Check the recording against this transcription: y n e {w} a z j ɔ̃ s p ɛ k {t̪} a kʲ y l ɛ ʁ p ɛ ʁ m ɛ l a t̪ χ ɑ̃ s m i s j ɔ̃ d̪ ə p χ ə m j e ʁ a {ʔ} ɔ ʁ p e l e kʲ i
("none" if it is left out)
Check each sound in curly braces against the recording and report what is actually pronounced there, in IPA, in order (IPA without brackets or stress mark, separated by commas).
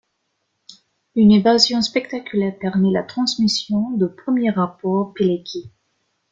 v, t̪, p